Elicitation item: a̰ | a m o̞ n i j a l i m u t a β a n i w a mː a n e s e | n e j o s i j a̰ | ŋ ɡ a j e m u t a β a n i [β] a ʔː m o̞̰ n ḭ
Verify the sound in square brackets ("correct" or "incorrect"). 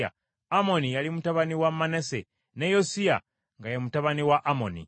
incorrect